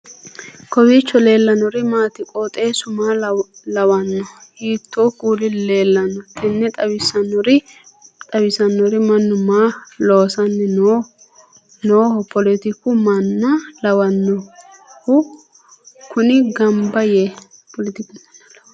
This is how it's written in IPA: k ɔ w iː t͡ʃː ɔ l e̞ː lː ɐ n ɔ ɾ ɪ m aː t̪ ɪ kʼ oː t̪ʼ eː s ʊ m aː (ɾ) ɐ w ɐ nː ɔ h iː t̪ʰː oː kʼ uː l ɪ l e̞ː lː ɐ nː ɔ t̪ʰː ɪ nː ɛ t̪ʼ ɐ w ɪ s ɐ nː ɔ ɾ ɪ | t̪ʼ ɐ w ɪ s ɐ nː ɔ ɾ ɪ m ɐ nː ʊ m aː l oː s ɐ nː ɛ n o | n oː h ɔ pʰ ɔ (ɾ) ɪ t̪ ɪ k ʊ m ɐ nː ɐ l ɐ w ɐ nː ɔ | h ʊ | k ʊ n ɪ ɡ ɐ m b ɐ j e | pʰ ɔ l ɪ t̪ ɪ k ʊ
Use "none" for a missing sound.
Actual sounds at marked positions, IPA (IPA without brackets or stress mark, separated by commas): l, l